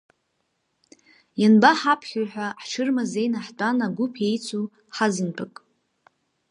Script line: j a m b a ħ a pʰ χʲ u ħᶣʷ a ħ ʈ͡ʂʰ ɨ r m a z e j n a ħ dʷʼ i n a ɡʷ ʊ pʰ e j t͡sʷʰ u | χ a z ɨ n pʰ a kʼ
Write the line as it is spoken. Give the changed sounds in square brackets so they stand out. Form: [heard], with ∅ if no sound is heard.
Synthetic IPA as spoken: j a [n] b a ħ a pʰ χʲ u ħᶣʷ a ħ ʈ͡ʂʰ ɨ r m a z e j n a ħ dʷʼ [a] n a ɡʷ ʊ pʰ e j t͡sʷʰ u | [ħ] a z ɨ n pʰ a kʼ